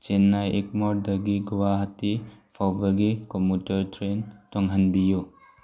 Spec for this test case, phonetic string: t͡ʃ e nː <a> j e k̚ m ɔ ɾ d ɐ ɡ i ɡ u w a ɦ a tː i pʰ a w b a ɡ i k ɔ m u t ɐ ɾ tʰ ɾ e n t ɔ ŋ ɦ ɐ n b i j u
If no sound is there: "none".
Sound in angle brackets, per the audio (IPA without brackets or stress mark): a